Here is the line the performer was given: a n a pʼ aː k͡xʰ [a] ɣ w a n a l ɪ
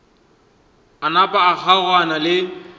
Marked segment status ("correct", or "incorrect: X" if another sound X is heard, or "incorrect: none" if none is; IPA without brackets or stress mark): correct